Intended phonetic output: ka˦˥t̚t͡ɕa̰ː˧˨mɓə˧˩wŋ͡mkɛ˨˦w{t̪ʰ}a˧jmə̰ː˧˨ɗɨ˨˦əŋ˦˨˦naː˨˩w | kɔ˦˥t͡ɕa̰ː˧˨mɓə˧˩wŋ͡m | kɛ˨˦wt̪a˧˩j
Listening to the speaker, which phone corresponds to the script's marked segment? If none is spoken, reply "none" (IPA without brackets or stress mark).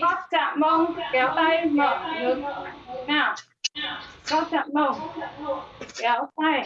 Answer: t̪